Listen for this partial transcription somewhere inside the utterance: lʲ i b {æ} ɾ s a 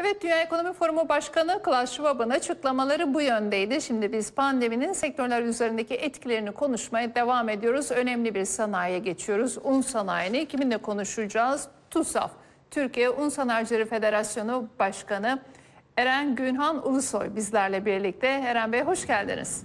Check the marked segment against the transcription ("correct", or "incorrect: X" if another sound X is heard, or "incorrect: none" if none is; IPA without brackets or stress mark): incorrect: i